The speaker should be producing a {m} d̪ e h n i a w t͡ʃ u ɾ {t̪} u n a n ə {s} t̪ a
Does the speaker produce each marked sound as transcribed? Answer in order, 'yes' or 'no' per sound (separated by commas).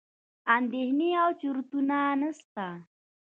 no, yes, yes